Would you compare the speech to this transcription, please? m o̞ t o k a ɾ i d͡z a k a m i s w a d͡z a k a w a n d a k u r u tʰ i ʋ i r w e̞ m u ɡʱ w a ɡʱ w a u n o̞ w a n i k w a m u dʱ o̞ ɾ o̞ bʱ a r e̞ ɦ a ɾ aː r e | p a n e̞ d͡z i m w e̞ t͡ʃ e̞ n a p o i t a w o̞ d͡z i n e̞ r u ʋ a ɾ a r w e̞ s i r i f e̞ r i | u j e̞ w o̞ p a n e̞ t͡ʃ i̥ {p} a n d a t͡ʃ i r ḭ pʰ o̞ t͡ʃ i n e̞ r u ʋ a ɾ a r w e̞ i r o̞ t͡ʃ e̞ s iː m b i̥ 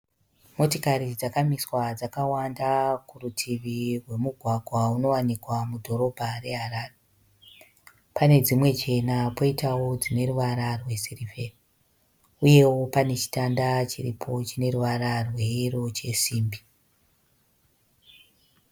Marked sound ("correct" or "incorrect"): incorrect